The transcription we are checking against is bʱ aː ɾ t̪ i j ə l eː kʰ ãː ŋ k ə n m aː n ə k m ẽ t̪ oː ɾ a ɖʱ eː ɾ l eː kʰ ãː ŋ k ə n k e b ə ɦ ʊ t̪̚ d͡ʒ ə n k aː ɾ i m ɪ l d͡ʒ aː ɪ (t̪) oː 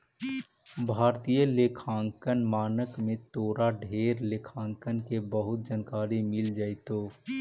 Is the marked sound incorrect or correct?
correct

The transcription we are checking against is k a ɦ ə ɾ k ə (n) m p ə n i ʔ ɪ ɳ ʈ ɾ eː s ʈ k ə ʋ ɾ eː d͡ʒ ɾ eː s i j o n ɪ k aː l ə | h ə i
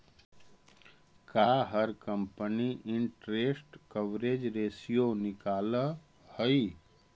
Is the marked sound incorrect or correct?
incorrect: none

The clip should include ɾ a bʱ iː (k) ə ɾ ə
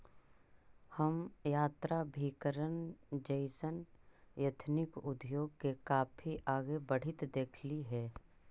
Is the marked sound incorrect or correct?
correct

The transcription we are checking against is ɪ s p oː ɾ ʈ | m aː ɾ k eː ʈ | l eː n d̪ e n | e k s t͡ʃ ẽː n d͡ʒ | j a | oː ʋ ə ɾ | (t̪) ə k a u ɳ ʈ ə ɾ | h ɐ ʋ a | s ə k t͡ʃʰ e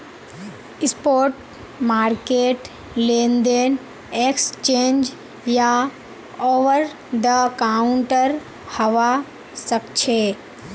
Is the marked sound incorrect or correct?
incorrect: d̪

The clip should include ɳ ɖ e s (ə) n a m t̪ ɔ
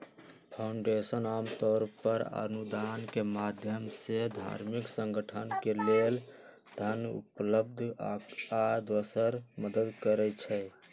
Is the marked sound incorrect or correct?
correct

